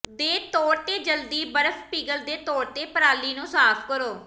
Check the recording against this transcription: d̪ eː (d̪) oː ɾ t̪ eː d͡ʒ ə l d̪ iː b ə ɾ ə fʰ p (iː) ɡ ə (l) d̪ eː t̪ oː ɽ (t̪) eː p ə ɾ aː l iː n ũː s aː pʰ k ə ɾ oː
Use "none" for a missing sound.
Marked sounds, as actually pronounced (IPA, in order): t̪, iː, l, t̪

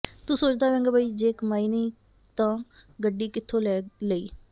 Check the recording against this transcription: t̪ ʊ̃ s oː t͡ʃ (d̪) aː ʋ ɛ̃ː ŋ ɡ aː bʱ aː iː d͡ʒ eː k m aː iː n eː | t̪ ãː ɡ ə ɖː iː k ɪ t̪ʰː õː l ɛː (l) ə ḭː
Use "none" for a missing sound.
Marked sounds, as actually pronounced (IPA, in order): d̪, l

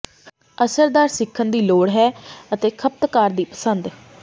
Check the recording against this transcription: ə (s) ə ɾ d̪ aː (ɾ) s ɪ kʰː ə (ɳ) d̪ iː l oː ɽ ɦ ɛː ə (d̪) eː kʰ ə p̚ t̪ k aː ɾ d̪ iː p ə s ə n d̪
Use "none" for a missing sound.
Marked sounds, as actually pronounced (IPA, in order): s, ɾ, n, t̪

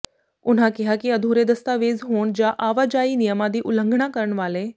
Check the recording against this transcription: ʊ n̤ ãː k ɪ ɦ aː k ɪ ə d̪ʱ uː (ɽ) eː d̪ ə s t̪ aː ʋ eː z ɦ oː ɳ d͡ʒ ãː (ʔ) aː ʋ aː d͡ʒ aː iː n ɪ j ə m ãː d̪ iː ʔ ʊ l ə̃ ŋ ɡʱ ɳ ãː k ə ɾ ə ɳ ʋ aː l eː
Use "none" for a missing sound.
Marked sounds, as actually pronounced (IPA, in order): ɾ, ʔ

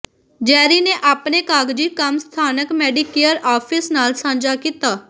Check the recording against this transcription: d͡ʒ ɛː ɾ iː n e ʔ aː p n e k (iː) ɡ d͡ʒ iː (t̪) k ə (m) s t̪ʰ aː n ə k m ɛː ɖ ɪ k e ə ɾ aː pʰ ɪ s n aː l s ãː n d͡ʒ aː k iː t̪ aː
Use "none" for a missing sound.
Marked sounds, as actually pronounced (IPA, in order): aː, none, m

